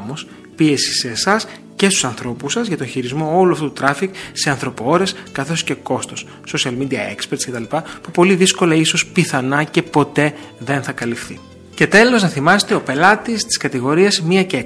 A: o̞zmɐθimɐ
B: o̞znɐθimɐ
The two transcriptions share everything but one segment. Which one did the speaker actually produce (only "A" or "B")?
B